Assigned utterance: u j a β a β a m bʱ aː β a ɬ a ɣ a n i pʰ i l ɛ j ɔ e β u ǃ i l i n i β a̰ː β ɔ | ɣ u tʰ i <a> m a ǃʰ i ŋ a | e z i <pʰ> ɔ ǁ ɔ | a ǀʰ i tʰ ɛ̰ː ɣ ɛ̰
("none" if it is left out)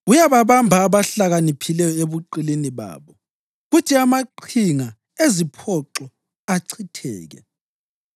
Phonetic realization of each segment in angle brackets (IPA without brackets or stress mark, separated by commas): a, pʰ